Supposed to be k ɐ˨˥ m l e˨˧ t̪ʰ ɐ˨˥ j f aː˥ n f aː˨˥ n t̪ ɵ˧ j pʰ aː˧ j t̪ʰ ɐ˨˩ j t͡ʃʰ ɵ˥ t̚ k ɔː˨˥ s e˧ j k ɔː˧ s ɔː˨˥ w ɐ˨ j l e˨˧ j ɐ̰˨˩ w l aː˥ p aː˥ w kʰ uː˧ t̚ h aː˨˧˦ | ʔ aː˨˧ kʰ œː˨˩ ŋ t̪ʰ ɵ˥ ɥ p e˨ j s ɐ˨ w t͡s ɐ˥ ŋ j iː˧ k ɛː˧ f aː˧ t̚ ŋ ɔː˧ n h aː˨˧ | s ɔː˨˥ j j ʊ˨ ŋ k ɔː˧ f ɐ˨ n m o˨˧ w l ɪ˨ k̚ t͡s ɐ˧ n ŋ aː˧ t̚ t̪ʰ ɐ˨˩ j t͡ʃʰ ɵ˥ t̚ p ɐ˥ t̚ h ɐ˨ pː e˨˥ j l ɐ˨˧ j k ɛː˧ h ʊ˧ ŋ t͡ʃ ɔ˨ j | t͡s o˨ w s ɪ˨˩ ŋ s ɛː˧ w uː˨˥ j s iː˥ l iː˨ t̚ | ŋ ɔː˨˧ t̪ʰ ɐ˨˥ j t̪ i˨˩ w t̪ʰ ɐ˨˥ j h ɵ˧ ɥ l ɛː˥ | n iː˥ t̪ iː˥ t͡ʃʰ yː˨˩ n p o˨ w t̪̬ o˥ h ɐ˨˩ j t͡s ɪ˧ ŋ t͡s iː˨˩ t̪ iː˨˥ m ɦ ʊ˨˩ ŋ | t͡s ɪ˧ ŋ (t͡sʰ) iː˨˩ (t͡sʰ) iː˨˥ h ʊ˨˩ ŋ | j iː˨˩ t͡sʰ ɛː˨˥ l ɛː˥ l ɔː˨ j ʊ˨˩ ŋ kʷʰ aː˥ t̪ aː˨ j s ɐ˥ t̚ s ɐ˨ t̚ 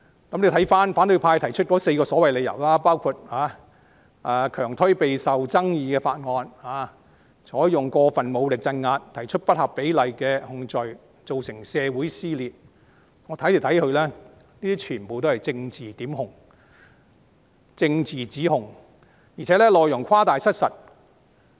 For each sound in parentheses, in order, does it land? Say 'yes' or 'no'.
no, no

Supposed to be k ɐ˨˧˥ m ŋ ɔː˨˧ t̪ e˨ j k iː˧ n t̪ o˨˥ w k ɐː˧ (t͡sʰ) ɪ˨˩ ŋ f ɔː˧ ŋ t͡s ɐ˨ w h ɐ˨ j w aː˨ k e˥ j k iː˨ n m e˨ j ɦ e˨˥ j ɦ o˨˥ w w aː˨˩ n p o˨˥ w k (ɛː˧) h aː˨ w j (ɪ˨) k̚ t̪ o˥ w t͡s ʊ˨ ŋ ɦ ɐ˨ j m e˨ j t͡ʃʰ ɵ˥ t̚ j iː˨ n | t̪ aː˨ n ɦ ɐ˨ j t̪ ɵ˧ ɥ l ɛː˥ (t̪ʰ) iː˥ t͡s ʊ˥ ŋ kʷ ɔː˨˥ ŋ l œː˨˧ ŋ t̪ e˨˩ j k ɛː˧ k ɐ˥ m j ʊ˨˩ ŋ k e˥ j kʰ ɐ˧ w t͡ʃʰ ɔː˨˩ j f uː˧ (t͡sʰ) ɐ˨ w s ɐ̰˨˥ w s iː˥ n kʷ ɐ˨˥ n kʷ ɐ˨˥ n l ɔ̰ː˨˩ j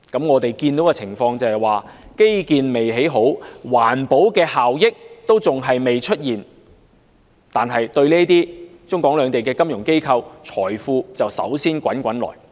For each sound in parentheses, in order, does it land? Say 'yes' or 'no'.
yes, yes, no, no, no

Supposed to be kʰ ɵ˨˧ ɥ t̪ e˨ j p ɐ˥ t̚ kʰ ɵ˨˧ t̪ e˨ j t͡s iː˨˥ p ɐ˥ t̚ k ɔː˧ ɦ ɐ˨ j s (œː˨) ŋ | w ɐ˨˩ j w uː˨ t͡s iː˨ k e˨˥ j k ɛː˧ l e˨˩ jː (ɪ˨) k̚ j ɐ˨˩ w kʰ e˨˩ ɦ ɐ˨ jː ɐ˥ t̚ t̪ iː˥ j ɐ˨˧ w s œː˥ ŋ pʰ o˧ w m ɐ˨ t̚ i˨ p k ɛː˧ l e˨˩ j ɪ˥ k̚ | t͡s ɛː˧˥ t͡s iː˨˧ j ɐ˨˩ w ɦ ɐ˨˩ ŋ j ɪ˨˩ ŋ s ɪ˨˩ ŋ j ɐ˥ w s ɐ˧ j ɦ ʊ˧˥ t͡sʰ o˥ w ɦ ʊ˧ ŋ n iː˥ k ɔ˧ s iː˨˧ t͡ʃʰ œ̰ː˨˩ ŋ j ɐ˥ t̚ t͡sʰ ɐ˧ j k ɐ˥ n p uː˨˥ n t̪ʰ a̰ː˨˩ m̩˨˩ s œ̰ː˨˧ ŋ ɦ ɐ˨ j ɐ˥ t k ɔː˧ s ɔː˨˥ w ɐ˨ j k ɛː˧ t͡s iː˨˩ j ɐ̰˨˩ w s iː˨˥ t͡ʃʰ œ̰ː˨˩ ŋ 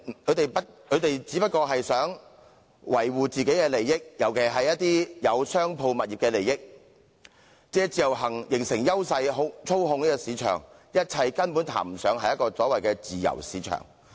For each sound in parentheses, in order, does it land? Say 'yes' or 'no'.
no, no

